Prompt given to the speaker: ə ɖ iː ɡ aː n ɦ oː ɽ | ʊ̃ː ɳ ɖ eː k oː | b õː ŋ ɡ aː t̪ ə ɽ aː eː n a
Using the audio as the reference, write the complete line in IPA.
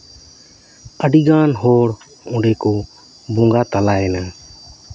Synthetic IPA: ə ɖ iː ɡ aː n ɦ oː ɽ | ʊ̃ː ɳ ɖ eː k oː | b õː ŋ ɡ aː t̪ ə l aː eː n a